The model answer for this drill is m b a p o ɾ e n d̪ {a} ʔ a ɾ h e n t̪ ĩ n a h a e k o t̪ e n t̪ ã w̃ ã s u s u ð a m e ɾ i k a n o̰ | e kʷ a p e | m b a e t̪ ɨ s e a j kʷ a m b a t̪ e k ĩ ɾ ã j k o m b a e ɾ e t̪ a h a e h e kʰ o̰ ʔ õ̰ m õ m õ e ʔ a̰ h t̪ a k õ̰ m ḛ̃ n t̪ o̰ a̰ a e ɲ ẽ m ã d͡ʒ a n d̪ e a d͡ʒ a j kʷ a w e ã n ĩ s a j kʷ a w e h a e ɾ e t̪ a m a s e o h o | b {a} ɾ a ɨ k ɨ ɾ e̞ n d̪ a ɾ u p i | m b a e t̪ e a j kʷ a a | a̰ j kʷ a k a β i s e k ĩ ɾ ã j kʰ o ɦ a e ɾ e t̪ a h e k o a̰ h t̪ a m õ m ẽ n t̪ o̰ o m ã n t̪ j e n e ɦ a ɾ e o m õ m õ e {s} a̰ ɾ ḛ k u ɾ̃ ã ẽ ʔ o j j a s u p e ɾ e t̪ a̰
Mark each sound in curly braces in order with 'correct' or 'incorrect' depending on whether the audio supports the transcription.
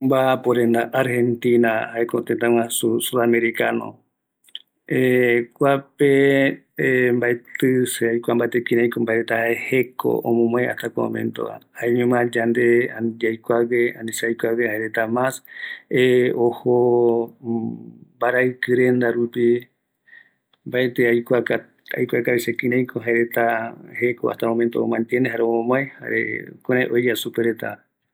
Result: correct, correct, incorrect

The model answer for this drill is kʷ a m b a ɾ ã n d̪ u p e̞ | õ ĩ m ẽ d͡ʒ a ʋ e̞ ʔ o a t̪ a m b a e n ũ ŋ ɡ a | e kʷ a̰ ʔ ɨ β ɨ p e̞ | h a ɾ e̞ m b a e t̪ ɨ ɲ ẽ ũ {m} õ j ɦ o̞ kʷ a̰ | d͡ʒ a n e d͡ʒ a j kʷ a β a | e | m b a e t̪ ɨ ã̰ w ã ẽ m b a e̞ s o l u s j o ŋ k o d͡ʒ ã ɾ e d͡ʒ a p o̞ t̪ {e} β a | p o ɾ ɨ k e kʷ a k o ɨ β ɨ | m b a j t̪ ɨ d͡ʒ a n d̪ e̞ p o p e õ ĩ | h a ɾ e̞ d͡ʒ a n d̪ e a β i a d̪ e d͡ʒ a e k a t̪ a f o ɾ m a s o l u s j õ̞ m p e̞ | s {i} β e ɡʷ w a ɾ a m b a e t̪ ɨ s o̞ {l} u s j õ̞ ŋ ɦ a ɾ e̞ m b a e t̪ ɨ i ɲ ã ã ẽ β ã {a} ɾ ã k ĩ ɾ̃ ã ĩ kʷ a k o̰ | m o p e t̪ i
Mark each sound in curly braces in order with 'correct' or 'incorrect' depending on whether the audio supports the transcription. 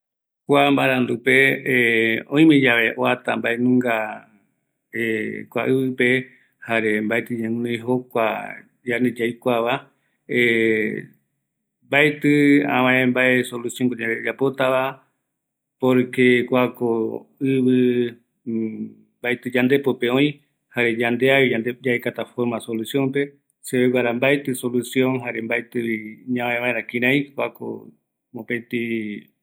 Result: incorrect, incorrect, incorrect, correct, incorrect

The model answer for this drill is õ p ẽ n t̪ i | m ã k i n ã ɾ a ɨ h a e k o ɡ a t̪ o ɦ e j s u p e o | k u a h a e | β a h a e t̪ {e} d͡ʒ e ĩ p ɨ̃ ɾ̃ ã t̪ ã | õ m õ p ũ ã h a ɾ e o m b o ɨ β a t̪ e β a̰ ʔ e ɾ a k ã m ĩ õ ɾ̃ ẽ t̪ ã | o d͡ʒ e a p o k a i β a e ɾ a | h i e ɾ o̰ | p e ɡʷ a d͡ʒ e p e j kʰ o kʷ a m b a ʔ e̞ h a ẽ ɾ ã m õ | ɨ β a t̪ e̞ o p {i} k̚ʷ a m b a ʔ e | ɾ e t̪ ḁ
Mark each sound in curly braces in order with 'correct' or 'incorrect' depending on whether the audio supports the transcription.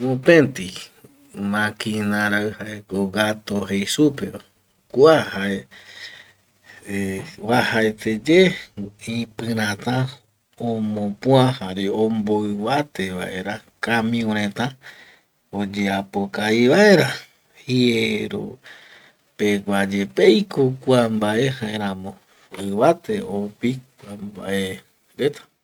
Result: correct, correct

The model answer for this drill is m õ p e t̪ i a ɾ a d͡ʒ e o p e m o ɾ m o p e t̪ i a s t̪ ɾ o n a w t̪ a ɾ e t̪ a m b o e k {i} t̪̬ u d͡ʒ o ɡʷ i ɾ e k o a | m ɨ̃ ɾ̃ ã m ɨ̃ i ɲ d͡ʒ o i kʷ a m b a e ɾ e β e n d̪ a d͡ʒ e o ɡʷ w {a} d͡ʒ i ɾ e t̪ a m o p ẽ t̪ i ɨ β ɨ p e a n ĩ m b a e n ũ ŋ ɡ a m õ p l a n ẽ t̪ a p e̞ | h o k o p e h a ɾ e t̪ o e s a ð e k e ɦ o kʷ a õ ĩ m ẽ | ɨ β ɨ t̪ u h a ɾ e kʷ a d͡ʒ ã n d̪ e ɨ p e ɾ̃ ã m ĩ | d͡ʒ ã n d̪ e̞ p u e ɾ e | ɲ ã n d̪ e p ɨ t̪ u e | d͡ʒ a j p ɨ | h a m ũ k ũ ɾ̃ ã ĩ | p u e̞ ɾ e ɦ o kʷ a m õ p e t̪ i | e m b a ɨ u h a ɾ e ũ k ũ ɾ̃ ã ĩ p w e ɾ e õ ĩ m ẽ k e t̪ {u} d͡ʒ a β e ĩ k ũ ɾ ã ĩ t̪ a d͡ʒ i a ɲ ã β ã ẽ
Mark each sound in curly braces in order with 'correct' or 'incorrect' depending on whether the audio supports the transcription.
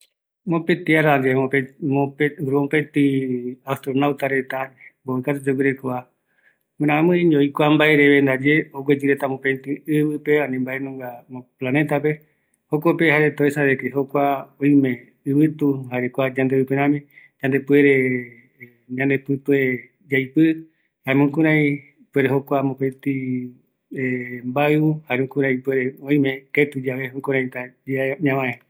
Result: incorrect, incorrect, correct

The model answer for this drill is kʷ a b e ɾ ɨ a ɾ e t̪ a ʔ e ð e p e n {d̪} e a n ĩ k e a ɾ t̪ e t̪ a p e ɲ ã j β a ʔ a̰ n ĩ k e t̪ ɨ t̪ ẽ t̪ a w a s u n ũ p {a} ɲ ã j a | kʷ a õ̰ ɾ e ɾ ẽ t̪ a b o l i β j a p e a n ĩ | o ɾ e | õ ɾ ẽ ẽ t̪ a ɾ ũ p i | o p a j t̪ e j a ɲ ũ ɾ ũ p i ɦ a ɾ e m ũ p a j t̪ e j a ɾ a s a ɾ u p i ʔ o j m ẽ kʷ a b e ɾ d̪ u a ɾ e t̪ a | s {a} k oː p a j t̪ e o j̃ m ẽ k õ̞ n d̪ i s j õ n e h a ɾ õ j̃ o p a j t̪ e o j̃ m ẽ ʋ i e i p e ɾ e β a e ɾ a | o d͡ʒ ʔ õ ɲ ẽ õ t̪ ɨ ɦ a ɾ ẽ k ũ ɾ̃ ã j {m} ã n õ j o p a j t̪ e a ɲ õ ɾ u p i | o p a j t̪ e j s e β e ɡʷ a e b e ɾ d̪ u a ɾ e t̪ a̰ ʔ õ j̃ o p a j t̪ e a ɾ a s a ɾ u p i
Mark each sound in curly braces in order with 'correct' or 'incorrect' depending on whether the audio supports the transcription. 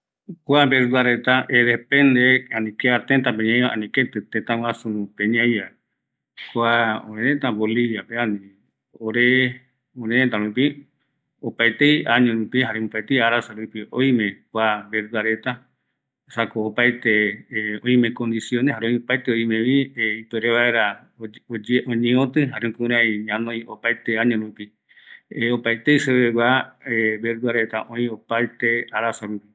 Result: correct, incorrect, correct, incorrect

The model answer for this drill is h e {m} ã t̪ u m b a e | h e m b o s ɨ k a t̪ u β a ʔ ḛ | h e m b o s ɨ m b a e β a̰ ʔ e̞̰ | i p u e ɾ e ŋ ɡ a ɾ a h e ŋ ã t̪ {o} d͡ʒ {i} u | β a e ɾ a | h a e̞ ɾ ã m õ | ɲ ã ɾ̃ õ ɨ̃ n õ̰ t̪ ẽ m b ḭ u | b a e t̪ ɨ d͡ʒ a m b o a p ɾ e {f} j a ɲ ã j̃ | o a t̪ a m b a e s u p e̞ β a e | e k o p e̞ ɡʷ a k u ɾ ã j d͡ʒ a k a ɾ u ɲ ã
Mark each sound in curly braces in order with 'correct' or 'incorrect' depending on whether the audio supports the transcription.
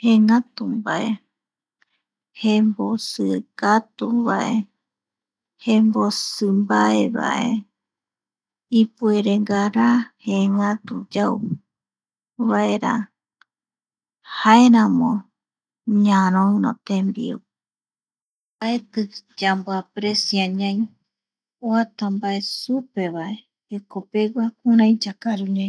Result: incorrect, incorrect, incorrect, incorrect

